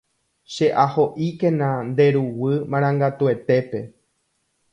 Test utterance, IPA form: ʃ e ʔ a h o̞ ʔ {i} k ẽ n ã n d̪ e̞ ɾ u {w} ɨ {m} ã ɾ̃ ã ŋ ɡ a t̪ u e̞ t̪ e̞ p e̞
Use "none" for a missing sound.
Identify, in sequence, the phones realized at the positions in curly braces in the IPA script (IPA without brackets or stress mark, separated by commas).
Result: i, w, m